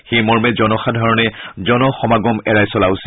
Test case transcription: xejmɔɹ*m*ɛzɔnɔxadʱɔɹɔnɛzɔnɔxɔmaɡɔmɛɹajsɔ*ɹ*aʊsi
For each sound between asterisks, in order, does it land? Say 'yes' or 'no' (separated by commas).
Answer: yes, no